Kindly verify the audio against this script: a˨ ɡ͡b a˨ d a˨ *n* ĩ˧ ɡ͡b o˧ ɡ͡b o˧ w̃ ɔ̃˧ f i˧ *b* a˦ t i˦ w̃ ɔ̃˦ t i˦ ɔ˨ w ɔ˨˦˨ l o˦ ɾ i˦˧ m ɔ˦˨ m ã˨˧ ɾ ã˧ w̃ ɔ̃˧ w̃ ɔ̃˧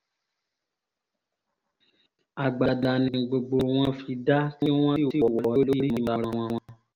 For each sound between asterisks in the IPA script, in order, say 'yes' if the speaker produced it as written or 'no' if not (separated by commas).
yes, no